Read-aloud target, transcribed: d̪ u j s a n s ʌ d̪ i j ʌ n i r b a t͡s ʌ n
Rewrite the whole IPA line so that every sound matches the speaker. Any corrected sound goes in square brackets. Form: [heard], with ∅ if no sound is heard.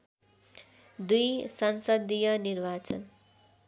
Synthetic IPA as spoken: d̪ u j s [ʌ] n s ʌ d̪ i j ʌ n i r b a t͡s ʌ n